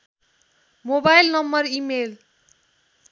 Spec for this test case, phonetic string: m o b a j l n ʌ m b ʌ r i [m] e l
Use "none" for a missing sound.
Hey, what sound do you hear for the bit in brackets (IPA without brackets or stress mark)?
m